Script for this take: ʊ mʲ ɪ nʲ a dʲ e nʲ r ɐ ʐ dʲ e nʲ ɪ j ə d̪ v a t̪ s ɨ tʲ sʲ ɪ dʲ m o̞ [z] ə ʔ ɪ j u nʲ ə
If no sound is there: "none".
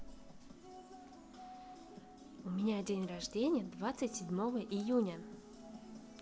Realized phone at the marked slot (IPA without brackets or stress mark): v